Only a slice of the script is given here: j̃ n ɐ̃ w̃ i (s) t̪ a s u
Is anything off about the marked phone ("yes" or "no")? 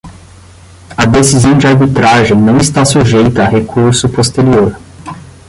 no